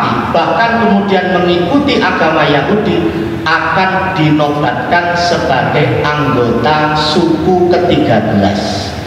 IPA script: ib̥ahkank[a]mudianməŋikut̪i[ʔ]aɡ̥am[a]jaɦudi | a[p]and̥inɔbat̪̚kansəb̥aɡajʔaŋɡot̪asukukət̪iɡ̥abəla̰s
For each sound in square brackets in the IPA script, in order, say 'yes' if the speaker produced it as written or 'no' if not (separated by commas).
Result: no, yes, yes, no